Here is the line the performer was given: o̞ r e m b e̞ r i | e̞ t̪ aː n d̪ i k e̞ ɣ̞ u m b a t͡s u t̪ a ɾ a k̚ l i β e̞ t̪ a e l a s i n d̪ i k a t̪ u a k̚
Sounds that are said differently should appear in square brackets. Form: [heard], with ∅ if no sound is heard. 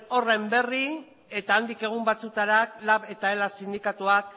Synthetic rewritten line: o̞ r e m b e̞ r i | e̞ t̪ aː n d̪ i k e̞ ɣ̞ u m b a t͡s u t̪ a ɾ a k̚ l [a] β e̞ t̪ a e l a s i n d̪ i k a t̪ u a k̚